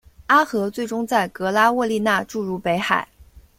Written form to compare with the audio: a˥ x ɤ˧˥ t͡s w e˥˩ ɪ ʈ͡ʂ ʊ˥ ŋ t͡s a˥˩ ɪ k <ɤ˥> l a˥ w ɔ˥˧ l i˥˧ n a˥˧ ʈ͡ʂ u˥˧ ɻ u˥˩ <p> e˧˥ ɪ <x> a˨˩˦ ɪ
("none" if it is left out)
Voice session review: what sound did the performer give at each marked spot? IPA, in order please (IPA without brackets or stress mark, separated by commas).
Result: ɤ˧˥, p, x